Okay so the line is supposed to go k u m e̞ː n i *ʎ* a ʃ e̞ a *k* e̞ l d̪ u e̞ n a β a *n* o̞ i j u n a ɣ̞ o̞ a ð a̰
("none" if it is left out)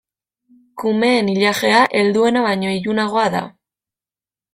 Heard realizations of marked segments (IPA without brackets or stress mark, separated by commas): ʎ, ʔ, ɲ